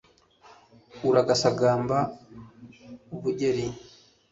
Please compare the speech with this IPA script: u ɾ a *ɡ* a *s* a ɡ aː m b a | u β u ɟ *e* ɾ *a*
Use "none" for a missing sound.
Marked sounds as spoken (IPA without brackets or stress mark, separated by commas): ɡ, s, e, i